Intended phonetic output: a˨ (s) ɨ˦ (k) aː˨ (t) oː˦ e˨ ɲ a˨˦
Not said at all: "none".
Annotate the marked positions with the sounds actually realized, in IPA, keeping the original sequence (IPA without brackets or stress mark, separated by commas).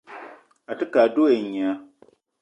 t, k, d